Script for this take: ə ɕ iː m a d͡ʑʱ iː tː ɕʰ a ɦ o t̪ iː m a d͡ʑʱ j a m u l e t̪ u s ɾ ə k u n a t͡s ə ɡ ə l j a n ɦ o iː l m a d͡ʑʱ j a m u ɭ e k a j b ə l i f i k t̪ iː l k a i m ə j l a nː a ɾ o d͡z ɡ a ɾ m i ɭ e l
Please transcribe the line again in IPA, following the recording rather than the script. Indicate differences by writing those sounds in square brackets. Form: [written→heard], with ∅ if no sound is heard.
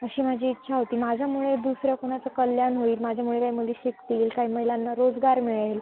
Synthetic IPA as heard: ə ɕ iː m a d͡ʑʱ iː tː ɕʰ a ɦ o t̪ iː m a d͡ʑʱ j a m u [l→ɭ] e [t̪→d̪] u s ɾ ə k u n a t͡s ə [ɡ→k] ə l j a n ɦ o iː l m a d͡ʑʱ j a m u ɭ e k a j [b→m] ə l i [f→ɕ] i k t̪ iː l k a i m ə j l a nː a ɾ o d͡z ɡ a ɾ m i ɭ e l